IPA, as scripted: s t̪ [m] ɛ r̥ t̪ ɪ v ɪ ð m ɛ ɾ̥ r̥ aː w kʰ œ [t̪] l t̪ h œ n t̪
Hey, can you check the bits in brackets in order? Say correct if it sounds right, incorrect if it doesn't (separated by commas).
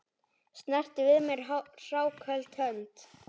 incorrect, incorrect